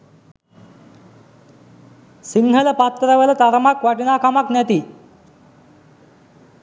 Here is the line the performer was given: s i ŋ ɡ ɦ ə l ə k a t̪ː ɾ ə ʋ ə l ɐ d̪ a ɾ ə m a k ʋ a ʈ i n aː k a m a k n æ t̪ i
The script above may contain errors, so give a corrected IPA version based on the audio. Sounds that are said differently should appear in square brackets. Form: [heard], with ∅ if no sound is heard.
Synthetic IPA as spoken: s i ŋ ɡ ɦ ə l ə [p] a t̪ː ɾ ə ʋ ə l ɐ [t̪] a ɾ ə m a k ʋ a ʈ i n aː k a m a k n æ t̪ i

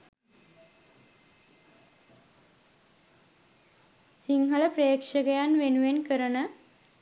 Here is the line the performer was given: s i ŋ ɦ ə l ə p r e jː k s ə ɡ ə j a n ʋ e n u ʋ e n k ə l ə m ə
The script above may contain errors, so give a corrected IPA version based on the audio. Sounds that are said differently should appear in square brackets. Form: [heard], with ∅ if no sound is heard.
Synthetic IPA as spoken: s i ŋ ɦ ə l ə p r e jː k [ʂ] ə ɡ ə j a n ʋ e n u ʋ e n k ə [ɾ] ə [n] ə

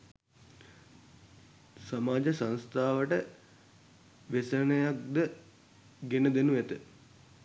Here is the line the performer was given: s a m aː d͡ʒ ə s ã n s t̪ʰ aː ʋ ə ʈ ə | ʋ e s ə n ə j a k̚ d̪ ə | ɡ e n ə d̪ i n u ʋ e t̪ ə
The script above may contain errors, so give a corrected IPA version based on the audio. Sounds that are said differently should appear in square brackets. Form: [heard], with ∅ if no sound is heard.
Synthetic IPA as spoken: s a m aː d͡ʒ ə s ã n s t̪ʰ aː ʋ ə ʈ ə | ʋ e s ə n ə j a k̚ d̪ ə | ɡ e n ə d̪ [e] n u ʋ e t̪ ə

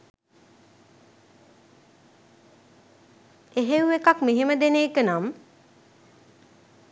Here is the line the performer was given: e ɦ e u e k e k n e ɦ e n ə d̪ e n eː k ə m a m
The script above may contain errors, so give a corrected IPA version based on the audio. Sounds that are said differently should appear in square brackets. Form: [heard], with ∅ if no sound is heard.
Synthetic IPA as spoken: e ɦ e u e k [a] k [m] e ɦ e [m] ə d̪ e n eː k ə [n] a m

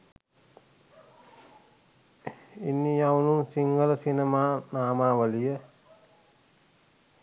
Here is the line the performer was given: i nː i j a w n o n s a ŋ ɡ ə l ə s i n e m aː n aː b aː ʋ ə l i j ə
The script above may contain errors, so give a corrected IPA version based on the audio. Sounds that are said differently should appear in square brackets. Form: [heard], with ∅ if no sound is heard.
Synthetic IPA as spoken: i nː i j a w n [u] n s [i] ŋ ɡ ə l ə s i n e m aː n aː [m] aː ʋ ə l i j ə

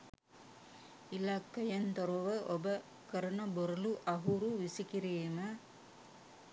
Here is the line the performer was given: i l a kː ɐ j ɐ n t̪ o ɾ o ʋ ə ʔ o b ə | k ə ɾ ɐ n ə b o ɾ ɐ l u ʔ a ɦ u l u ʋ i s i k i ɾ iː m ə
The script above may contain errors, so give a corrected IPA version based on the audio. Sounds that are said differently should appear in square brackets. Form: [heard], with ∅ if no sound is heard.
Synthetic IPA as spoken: i l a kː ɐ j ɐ n t̪ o ɾ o ʋ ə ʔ o b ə | k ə ɾ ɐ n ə b o ɾ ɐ l u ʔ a ɦ u [ɾ] u ʋ i s i k i ɾ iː m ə

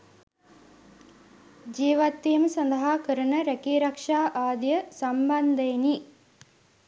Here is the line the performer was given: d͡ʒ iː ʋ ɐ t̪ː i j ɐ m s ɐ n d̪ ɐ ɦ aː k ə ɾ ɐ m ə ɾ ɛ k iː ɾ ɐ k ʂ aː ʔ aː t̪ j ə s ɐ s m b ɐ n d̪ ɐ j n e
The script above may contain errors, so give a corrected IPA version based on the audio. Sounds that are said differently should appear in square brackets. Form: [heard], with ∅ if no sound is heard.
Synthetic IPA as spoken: d͡ʒ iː ʋ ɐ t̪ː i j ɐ m s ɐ n d̪ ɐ ɦ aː k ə ɾ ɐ [n] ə ɾ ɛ k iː ɾ ɐ k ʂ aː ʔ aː [d̪] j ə s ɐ [∅] m b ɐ n d̪ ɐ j n [i]

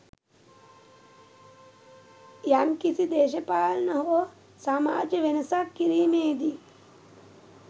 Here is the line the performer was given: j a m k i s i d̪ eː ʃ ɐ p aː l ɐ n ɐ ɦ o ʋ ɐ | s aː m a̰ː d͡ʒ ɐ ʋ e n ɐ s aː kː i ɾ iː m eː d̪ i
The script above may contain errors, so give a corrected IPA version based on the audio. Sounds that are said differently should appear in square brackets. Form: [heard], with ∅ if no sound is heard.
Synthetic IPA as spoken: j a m k i s i d̪ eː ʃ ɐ p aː l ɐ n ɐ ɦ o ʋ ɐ | s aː m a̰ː d͡ʒ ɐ ʋ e n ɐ s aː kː i ɾ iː m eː d̪ i

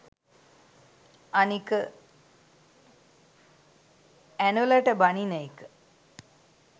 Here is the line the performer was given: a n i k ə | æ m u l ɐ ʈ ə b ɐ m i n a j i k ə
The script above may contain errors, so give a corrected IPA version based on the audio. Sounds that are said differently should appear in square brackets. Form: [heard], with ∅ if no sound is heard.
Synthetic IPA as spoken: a n i k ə | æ [n] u l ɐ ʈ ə b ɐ [n] i n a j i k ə

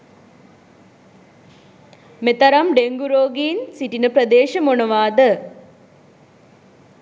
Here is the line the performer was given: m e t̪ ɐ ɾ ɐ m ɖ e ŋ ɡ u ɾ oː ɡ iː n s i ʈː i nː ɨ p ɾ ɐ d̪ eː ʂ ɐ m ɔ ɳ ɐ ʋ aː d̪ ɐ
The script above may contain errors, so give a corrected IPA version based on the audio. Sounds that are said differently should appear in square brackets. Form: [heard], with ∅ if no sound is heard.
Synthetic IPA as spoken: m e t̪ ɐ ɾ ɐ m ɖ e ŋ ɡ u ɾ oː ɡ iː n s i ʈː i [n] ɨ p ɾ ɐ d̪ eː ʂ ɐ m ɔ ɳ ɐ ʋ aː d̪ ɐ

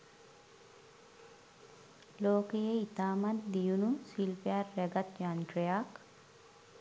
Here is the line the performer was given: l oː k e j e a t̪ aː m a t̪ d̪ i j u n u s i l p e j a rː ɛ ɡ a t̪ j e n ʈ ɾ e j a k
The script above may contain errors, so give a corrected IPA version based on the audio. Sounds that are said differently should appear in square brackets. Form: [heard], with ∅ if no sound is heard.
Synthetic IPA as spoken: l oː k e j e [i] t̪ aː m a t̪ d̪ i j u n u s i l p e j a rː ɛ ɡ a t̪ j [a] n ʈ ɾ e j a k

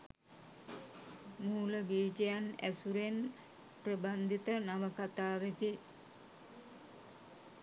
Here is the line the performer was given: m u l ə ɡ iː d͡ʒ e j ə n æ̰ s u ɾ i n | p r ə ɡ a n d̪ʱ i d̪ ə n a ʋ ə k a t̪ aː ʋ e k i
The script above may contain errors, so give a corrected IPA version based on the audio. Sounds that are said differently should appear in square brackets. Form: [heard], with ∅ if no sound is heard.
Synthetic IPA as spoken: m [uː] l ə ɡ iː d͡ʒ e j [a] n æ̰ s u ɾ [e] n | p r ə [b] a n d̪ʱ i [t̪] ə n a ʋ ə k a t̪ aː ʋ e k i

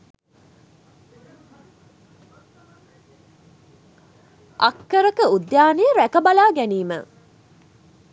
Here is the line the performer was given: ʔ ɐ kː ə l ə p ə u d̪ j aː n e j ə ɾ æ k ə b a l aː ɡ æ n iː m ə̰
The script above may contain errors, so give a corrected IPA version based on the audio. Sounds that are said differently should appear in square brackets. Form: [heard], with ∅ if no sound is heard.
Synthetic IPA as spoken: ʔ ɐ kː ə [ɾ] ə [k] ə u d̪ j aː n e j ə ɾ æ k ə b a l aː ɡ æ n iː m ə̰

